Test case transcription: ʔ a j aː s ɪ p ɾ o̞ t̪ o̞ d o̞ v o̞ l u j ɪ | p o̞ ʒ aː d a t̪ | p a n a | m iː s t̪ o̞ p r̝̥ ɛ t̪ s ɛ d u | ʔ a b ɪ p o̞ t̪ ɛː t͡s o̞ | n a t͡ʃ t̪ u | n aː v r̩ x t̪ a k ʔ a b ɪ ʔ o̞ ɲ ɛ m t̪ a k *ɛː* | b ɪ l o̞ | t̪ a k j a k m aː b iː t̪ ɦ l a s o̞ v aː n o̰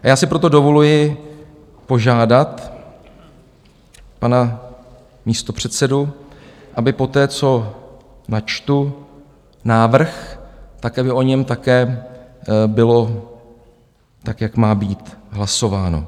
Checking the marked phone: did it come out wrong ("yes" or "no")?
no